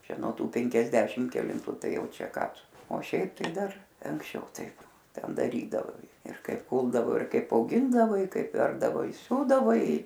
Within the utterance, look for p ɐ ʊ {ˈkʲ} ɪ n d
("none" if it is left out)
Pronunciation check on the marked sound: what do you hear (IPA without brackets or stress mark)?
ɡʲ